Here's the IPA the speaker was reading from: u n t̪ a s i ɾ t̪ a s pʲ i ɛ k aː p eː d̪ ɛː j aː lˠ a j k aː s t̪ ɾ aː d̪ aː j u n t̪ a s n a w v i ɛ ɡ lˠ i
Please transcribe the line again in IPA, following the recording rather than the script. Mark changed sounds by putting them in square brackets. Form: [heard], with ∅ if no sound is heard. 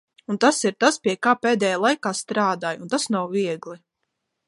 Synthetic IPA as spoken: u n t̪ a s i ɾ t̪ a s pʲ i ɛ k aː p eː d̪ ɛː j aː lˠ a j k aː s t̪ ɾ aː d̪ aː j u n t̪ a s n a w v i ɛ ɡ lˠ i